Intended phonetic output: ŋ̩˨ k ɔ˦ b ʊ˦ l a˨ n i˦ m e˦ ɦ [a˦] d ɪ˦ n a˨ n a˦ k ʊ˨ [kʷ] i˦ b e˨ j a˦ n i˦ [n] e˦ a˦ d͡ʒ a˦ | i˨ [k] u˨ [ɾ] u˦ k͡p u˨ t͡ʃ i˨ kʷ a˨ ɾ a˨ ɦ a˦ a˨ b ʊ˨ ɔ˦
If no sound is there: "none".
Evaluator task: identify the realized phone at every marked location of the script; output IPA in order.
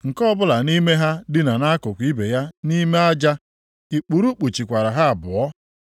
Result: a˦, kʷ, m, k͡p, ɾ

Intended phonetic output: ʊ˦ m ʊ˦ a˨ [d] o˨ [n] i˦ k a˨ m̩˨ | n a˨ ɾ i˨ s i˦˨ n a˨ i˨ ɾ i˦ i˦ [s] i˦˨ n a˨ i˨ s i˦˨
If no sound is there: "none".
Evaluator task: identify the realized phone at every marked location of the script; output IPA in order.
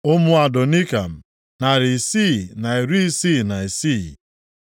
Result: d, n, s

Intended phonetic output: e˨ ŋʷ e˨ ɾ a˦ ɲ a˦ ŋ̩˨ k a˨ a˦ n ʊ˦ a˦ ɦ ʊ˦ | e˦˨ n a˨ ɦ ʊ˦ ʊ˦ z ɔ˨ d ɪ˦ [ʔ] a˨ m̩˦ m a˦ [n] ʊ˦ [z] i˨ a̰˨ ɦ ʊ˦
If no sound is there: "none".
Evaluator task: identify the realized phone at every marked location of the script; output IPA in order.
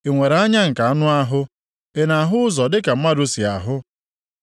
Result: k, d, s

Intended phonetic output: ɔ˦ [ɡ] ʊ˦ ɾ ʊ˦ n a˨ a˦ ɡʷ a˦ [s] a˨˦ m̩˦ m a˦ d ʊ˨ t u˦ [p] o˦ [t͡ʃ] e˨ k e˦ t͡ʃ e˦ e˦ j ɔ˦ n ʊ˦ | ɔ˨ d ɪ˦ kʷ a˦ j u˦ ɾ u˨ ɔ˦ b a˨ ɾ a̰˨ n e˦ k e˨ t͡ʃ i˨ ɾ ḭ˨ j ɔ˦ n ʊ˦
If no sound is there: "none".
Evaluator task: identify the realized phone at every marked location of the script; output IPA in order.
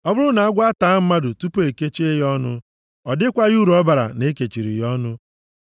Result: b, t, p, none

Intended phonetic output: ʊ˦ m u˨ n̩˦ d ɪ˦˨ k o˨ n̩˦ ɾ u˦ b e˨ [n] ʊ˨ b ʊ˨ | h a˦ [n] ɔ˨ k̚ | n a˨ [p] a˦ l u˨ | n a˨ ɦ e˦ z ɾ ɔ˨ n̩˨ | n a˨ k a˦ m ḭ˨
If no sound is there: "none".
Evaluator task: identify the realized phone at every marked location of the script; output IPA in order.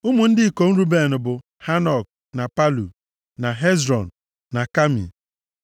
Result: n, n, p

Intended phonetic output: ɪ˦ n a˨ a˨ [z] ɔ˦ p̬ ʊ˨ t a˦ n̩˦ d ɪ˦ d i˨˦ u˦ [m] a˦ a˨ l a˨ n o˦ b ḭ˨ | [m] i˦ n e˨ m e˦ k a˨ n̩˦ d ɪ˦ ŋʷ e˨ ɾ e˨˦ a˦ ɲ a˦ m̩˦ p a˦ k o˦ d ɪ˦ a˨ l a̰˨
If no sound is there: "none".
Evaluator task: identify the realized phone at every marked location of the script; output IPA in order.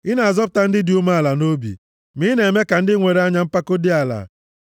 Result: z, m, m

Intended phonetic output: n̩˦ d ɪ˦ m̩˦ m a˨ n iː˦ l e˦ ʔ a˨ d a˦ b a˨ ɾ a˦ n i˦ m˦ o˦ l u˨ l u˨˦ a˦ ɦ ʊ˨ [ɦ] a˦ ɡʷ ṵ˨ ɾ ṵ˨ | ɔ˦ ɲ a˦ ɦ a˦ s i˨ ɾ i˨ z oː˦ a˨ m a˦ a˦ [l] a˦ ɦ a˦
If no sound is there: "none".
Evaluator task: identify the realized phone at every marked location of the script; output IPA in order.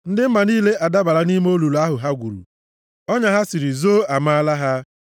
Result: ɦ, l

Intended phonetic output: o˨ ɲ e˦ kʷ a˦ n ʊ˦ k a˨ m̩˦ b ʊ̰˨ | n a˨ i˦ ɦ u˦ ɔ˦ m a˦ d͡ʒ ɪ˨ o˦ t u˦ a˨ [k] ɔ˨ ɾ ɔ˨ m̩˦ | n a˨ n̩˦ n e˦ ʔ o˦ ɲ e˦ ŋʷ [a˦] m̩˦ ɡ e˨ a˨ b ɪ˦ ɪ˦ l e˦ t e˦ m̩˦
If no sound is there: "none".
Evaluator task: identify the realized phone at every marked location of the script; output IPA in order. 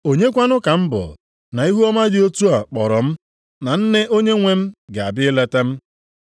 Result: k͡p, e˦

